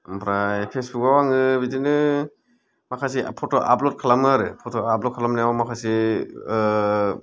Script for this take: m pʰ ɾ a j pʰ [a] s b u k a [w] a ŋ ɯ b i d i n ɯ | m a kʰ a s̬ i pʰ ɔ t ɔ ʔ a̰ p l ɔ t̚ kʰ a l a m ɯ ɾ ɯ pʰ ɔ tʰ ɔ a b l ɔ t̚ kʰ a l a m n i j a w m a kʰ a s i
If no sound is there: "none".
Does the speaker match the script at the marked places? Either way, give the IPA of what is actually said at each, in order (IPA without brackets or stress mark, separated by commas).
e, w